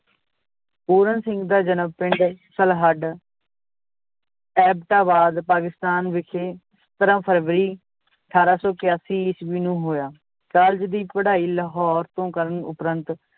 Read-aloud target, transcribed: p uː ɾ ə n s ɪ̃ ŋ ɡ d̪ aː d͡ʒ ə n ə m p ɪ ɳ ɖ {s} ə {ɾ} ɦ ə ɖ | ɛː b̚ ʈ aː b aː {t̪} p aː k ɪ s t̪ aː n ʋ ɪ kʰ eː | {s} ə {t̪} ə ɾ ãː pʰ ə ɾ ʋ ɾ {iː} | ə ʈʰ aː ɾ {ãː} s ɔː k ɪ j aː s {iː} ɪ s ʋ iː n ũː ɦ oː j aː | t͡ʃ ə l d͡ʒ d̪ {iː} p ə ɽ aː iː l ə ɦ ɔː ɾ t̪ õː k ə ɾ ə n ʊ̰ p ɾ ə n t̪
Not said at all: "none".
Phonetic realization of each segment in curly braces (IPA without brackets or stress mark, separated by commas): s, l, d̪, s, t̪, iː, aː, iː, iː